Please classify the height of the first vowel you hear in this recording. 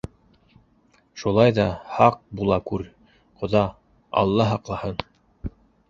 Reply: high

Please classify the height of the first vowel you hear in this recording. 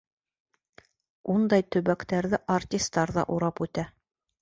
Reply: high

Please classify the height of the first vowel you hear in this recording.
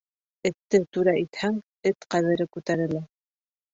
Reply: mid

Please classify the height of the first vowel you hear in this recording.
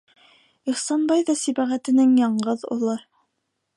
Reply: high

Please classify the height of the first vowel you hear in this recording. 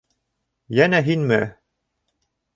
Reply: low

